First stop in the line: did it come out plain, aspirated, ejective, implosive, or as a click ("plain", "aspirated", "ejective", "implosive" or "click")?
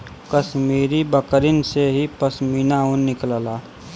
plain